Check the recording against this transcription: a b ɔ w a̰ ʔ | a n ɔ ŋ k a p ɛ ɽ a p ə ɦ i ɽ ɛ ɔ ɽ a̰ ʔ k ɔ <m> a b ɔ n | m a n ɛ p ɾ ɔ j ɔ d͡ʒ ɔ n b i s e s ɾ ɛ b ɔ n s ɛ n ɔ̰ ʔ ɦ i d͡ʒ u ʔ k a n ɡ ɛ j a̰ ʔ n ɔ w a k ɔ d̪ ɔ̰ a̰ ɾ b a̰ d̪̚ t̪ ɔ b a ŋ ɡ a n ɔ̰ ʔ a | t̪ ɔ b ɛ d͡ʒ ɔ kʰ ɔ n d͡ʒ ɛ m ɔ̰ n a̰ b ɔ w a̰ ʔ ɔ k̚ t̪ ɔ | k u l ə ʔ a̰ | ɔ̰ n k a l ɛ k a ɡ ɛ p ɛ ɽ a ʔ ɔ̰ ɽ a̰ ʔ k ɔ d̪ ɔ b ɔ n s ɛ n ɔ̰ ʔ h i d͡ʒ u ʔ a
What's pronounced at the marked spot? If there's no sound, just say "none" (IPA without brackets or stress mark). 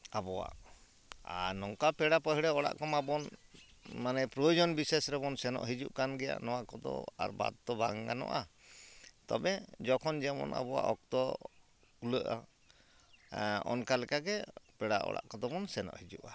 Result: m